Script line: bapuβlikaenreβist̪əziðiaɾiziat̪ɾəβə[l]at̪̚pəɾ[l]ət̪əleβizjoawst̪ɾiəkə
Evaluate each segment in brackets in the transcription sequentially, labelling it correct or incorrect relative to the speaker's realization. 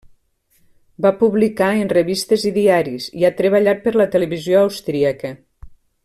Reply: incorrect: ʎ, correct

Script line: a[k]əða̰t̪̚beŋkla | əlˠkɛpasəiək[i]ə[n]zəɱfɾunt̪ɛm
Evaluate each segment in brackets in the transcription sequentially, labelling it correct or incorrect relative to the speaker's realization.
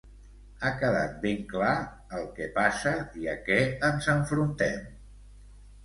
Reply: correct, incorrect: ɛ, correct

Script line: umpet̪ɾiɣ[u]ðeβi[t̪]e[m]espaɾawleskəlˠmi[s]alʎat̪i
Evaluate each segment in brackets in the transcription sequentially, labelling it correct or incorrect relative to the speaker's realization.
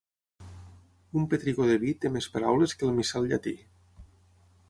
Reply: incorrect: o, correct, correct, correct

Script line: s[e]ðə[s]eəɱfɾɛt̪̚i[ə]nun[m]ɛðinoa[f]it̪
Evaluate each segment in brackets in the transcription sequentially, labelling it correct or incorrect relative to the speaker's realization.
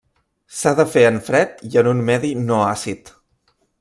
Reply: incorrect: a, incorrect: f, correct, correct, incorrect: s

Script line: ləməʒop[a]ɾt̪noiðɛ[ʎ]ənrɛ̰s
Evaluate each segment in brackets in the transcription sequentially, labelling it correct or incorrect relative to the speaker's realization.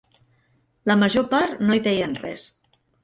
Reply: correct, incorrect: j

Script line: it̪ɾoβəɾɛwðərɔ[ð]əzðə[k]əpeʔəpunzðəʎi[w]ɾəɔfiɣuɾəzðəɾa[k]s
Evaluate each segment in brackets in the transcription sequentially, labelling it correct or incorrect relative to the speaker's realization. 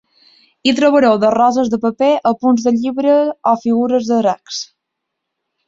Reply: incorrect: z, incorrect: p, incorrect: β, correct

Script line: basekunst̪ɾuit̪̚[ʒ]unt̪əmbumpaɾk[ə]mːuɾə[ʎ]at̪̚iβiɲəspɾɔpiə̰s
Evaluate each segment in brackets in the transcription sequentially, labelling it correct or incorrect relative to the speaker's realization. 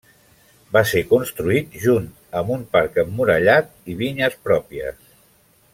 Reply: correct, correct, correct

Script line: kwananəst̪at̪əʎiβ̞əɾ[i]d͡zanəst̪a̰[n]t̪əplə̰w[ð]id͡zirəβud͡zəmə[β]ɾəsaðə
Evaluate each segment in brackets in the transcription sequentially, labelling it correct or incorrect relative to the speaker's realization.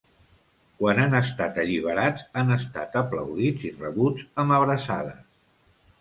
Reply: incorrect: a, incorrect: none, correct, correct

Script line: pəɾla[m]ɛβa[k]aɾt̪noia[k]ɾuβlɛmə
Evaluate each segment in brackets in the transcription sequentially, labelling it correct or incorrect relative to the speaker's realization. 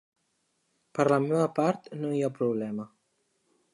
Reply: correct, incorrect: p, incorrect: p

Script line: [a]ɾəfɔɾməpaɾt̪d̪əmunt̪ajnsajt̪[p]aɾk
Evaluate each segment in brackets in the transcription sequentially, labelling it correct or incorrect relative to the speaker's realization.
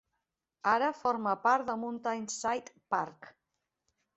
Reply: correct, correct

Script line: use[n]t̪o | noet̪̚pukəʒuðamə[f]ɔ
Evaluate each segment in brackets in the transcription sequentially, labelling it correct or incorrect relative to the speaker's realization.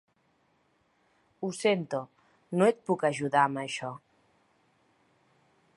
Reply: correct, incorrect: ʃ

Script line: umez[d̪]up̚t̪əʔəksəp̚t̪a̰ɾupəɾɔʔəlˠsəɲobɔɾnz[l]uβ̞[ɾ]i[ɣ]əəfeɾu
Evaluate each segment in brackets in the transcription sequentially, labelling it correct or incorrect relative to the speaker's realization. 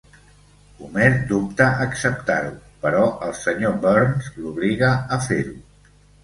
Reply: correct, correct, incorrect: l, correct

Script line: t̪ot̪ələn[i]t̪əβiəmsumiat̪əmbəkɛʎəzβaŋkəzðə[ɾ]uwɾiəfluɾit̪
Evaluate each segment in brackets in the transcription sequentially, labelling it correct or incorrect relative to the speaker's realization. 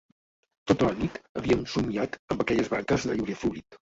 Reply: correct, incorrect: ʎ

